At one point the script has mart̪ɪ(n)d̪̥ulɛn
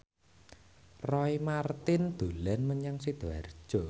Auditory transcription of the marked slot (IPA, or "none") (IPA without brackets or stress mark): n